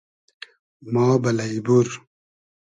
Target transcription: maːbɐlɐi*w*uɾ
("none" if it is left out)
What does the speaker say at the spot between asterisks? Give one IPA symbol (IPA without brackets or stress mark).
b